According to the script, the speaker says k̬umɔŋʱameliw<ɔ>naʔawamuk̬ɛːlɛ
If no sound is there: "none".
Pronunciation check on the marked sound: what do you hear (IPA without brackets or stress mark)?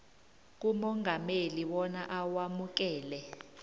ɔ